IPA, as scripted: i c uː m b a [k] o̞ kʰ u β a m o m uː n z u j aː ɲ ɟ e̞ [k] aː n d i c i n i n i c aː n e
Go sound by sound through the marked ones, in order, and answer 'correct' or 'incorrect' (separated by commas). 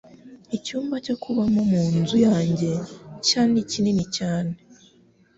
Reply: incorrect, incorrect